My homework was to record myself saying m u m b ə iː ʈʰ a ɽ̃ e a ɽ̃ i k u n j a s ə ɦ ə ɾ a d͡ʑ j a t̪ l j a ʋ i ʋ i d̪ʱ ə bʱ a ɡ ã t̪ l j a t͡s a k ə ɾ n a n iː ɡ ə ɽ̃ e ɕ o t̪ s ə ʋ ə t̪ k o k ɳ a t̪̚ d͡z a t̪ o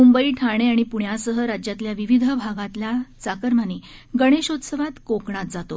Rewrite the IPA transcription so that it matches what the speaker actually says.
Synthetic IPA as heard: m u m b ə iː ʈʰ a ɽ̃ e a ɽ̃ i p u ɳ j a s ə ɦ ə ɾ a d͡ʑ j a t̪ l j a ʋ i ʋ i d̪ʱ ə bʱ a ɡ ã t̪ l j a t͡s a k ə ɾ m a n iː ɡ ə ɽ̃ e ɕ o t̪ s ə ʋ a t̪ k o k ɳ a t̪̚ d͡z a t̪ o